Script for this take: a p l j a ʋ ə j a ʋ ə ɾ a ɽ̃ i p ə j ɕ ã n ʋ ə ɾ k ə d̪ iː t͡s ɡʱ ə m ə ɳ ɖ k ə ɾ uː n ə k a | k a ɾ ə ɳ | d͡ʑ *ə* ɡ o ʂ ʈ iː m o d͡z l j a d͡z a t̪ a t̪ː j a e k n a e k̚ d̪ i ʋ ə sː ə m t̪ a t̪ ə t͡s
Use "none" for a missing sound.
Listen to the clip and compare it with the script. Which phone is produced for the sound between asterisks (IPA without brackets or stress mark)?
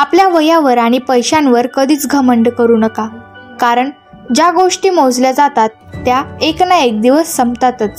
a